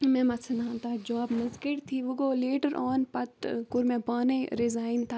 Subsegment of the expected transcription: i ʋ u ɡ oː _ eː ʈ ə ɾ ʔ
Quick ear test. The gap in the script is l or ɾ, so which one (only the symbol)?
l